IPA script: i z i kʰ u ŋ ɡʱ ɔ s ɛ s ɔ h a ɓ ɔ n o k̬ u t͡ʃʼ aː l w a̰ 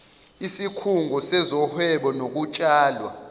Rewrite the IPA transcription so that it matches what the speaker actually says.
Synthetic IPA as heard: i s i kʰ u ŋ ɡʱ ɔ s ɛ z ɔ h ɛ ɓ ɔ n o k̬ u t͡ʃʼ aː l w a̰